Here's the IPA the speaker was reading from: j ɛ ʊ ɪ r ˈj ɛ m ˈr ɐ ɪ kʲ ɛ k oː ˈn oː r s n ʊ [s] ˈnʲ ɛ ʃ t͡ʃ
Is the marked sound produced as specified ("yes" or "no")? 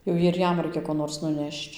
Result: no